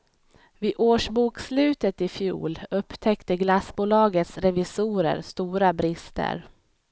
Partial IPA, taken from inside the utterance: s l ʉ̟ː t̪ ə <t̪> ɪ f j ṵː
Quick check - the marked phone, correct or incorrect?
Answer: correct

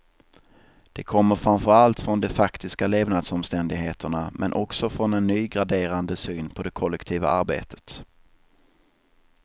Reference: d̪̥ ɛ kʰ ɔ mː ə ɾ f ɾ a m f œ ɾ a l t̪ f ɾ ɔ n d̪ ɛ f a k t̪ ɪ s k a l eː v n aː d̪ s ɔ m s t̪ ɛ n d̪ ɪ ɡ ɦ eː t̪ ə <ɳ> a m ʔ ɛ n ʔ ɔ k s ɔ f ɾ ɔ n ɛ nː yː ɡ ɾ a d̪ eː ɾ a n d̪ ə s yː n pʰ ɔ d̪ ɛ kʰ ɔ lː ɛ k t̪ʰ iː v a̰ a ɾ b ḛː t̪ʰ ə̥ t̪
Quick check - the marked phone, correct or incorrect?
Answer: correct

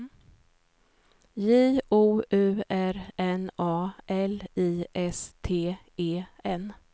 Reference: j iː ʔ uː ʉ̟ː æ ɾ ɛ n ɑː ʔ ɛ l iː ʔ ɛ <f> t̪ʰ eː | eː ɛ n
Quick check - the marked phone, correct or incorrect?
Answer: incorrect: s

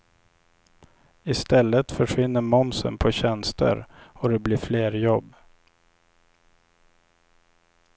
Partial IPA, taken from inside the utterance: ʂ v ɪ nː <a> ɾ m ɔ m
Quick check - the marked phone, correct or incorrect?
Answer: incorrect: ə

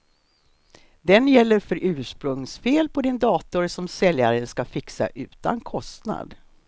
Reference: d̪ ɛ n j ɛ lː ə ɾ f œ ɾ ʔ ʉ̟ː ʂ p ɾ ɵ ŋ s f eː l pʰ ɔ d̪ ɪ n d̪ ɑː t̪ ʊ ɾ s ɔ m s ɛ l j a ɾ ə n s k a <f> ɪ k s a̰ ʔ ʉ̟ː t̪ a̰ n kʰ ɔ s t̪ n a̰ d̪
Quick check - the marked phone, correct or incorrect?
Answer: correct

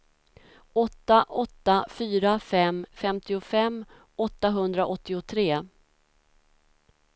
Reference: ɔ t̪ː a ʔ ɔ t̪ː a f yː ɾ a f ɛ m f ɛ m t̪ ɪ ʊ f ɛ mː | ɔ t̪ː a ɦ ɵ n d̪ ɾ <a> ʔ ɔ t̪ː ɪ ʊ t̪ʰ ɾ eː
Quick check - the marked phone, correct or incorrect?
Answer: correct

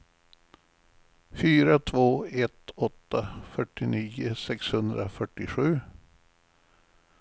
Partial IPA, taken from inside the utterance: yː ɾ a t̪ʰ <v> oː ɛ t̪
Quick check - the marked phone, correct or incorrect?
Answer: correct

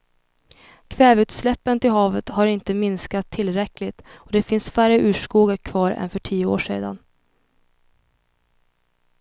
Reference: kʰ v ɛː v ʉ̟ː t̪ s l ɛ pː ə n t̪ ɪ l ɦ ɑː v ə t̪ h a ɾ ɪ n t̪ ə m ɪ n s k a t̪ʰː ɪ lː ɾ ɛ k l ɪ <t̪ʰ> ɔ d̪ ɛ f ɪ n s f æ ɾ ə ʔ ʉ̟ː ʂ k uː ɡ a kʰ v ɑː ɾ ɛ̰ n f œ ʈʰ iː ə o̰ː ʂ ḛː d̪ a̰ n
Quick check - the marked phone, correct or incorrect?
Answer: incorrect: t̪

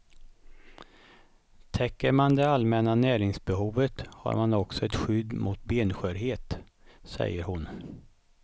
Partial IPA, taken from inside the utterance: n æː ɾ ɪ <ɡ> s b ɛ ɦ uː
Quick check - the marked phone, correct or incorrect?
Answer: incorrect: ŋ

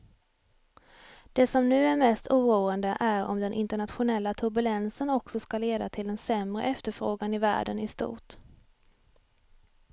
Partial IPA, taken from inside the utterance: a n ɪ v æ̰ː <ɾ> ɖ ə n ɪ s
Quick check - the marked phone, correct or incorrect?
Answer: incorrect: none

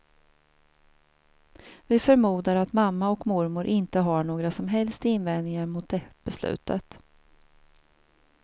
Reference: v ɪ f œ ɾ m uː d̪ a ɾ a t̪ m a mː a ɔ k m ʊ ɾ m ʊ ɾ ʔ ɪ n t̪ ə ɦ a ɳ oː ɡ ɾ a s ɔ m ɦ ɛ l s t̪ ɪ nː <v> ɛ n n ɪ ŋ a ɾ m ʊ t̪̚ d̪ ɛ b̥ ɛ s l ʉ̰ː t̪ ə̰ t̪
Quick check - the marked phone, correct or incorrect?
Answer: correct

